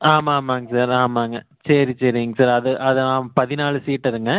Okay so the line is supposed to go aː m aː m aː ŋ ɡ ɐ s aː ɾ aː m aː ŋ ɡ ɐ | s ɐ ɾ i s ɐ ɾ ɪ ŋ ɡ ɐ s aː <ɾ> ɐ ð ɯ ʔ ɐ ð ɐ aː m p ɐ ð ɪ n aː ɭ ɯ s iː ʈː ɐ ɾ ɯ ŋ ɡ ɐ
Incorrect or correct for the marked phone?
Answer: correct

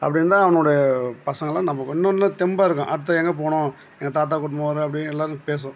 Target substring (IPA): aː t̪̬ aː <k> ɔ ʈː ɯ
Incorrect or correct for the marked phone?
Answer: correct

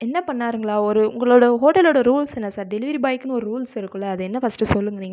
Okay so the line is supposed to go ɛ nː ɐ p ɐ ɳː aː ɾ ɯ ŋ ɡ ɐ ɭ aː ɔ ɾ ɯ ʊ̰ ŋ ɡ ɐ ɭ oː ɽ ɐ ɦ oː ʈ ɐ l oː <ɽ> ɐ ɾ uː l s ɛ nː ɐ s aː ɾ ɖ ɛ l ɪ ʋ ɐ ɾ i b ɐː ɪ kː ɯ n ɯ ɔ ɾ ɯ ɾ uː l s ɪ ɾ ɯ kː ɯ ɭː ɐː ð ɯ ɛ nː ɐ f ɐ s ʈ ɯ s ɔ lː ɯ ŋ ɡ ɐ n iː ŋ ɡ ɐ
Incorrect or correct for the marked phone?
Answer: correct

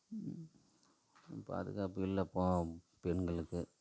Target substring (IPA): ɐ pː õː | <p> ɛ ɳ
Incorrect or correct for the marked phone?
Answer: correct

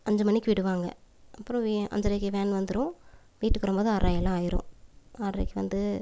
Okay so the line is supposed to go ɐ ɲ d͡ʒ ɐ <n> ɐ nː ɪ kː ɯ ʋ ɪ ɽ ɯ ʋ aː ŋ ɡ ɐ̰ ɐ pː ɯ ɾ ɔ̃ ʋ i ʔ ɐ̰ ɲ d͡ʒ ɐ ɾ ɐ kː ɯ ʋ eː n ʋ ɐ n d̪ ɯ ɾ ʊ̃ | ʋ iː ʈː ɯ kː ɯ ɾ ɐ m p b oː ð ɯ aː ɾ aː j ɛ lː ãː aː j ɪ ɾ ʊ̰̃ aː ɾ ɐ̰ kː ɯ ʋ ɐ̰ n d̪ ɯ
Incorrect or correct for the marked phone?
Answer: incorrect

